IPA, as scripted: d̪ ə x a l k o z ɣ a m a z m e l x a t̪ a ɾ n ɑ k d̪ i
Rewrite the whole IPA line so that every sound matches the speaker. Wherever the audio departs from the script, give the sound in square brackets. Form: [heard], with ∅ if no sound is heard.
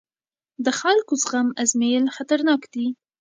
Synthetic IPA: d̪ ə x a l k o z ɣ a m a z m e l x a t̪ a ɾ n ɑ k d̪ i